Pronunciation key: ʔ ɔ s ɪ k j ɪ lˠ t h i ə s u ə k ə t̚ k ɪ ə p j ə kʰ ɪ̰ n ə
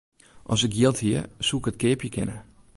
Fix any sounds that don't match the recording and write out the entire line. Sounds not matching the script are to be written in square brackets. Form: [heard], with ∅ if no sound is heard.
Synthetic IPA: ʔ ɔ s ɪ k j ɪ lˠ t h i ə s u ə k ə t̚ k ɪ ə p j ə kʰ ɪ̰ n ə

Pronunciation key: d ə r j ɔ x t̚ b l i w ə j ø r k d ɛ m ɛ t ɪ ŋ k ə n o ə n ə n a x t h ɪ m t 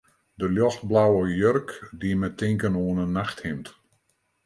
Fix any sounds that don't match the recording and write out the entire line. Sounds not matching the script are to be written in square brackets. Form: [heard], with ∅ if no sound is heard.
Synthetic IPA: d ə [l] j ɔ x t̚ b l [a] w ə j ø r k d [i] m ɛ t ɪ ŋ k ə n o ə n ə n a x t h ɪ m t

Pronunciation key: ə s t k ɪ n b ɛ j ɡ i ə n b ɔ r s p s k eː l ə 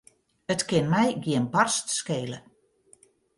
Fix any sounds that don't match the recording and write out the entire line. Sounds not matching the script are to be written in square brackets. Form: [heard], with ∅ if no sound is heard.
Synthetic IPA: ə [∅] t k ɪ n [m] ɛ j ɡ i ə n b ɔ r s [t] s k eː l ə

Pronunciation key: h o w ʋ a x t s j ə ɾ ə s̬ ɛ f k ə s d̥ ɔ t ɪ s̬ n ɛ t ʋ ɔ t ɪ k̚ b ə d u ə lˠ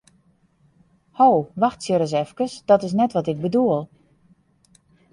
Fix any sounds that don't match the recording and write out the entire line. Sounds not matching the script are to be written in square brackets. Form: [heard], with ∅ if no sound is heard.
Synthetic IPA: h o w ʋ a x t s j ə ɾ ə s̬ ɛ f k ə s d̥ ɔ t ɪ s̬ n ɛ t ʋ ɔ t ɪ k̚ b ə d u ə lˠ

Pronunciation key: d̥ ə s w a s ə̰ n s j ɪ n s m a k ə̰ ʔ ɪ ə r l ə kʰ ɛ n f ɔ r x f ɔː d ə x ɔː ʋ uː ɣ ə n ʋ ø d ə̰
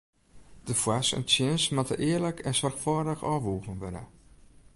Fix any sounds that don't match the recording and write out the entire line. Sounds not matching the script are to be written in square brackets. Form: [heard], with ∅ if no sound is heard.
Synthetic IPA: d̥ ə [f] w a s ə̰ n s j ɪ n s m a [t] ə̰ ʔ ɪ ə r l ə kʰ ɛ n [s] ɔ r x f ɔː d ə x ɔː ʋ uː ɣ ə n ʋ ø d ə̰

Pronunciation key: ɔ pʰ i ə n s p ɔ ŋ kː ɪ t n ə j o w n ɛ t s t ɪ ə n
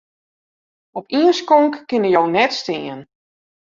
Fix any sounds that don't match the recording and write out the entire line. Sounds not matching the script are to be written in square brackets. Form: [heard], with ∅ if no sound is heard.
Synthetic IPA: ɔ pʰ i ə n s [k] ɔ ŋ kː ɪ [∅] n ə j o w n ɛ t s t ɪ ə n

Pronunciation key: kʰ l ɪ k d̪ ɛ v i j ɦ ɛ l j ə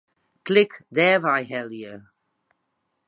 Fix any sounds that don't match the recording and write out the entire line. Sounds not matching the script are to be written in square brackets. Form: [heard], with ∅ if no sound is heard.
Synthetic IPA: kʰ l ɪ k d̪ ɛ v [a] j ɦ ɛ l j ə

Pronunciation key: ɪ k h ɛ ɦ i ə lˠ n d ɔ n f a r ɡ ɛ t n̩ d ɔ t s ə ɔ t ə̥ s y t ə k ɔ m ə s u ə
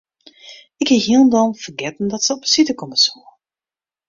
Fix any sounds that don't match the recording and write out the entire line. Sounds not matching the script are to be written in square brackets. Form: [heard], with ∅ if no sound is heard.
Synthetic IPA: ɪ k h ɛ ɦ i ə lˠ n d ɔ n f [ə] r ɡ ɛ t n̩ d ɔ t s ə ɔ [p] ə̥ s [i] t ə k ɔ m ə s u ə

